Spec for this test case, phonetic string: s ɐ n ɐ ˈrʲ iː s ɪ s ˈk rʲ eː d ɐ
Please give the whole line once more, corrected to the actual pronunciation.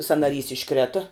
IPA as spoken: s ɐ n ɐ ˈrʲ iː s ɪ ʃ ˈk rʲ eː t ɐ